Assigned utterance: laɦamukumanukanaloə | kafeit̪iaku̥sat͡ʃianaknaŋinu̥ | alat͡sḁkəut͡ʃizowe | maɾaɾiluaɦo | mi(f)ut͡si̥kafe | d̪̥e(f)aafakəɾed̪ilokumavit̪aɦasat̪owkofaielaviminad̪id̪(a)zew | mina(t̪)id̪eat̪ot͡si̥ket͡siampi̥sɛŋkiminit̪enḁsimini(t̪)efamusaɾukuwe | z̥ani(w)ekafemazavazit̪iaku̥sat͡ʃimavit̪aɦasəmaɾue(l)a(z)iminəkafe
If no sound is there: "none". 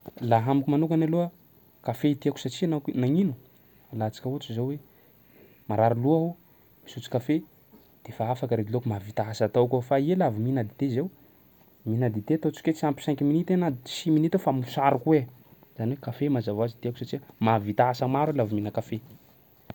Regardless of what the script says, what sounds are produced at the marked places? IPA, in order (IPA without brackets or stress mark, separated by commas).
s, f, e, d̪, t̪, w, l, v